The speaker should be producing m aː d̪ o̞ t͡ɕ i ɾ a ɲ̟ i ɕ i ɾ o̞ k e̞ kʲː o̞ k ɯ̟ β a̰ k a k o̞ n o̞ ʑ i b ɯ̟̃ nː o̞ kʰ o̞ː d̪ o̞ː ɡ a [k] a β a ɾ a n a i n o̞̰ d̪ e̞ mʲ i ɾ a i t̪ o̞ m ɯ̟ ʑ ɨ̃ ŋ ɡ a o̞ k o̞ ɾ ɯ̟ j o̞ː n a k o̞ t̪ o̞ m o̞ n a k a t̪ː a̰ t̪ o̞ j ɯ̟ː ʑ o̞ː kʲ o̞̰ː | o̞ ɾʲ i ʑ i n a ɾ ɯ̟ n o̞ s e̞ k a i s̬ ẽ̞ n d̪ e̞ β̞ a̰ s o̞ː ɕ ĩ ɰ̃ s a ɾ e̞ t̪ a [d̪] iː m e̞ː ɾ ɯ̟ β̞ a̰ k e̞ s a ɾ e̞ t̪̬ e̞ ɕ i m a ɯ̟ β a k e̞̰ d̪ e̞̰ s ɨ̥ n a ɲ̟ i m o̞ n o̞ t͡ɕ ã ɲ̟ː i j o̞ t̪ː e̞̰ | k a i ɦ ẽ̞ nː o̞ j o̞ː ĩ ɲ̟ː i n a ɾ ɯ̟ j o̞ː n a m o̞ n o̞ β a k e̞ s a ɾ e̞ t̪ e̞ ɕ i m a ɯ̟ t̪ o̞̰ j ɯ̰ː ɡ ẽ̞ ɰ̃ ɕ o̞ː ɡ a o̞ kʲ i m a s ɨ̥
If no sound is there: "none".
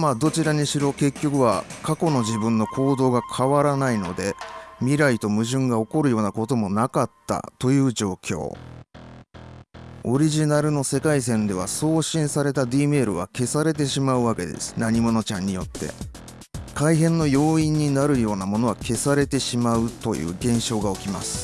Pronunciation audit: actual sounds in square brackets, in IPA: kʰ, d̪

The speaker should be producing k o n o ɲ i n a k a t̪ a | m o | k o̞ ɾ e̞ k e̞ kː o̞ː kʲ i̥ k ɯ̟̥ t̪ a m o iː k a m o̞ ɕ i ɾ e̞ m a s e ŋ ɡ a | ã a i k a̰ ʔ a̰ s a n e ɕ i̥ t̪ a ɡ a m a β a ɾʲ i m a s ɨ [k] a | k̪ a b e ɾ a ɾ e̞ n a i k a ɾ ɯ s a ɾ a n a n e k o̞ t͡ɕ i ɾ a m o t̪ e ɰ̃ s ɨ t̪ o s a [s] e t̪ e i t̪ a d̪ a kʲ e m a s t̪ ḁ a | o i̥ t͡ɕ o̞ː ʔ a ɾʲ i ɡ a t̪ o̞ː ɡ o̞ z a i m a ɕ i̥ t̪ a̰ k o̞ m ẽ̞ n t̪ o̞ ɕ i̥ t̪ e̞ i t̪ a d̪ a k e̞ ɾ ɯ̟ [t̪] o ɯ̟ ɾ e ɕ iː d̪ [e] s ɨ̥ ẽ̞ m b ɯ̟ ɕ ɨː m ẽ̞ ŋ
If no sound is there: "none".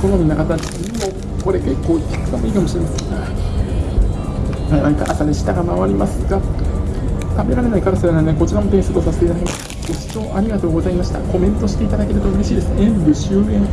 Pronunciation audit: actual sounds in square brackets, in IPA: ɡ, s, t̪, e

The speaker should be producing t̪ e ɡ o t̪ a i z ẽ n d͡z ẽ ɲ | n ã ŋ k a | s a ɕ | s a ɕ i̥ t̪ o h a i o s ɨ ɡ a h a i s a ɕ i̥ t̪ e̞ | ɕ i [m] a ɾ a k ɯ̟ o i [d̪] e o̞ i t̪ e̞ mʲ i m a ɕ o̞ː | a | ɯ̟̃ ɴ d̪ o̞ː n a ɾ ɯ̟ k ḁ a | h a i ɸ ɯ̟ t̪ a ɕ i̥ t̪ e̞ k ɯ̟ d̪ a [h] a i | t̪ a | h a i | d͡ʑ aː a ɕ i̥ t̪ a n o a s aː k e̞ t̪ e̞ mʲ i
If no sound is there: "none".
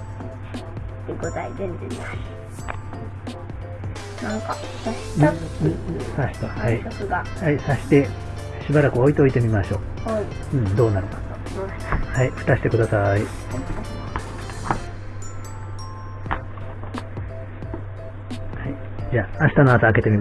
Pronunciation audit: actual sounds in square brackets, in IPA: b, t̪, s

